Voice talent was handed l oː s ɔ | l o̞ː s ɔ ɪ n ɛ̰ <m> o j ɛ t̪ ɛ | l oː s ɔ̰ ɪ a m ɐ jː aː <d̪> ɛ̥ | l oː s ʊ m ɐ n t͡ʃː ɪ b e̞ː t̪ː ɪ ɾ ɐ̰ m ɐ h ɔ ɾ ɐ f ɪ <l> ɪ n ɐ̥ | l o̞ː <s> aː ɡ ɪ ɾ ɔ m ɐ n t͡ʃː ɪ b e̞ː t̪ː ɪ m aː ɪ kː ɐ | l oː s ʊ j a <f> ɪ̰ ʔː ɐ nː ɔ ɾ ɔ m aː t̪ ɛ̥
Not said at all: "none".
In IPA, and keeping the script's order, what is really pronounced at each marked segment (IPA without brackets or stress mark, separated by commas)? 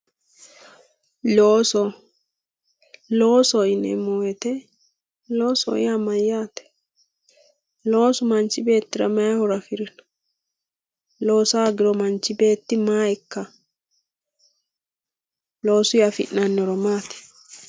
m, t̪, ɾ, s, f